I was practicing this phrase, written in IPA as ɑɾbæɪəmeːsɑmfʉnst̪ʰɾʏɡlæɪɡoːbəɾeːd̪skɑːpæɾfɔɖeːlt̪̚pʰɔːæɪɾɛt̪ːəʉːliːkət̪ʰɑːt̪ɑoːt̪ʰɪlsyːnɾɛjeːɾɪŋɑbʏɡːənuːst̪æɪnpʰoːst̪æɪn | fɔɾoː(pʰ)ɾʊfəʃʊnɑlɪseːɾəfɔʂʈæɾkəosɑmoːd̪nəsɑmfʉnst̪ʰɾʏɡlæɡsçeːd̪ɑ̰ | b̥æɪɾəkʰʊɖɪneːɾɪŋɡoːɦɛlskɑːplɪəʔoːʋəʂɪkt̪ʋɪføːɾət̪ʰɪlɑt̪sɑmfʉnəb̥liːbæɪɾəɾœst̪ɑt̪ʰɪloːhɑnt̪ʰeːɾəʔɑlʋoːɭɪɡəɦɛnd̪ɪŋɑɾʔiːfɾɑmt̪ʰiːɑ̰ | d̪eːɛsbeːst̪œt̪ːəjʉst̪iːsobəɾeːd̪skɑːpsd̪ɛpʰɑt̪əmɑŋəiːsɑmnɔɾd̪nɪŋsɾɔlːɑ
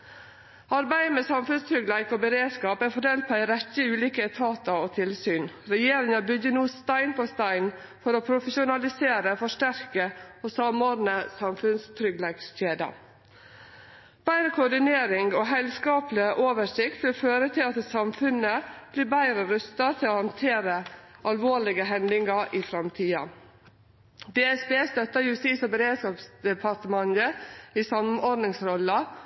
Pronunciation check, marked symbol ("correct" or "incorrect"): correct